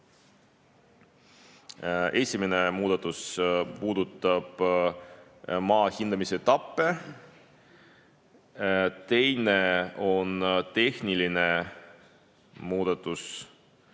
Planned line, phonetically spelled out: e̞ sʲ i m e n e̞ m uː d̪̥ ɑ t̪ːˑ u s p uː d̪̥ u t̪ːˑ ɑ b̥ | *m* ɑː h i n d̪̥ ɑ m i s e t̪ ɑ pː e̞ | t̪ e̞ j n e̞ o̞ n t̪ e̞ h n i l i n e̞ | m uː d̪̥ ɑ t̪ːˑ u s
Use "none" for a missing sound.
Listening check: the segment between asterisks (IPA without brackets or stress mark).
m